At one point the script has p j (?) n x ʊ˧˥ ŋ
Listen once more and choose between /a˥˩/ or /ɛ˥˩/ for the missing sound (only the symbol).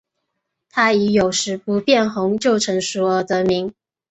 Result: ɛ˥˩